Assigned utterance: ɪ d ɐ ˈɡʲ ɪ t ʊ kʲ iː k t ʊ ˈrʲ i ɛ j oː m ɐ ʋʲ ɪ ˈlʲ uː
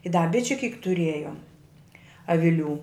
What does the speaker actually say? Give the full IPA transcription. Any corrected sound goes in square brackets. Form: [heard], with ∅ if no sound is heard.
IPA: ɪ d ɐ [ˈbʲ] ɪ [t͡ʃʲ] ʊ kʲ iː k t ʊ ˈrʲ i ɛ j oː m ɐ ʋʲ ɪ ˈlʲ uː